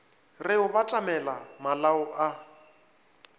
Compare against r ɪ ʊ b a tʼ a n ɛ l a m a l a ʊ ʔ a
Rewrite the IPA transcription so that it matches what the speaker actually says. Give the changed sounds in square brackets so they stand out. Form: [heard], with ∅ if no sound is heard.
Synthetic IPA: r ɪ ʊ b a tʼ a [m] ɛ l a m a l a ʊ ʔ a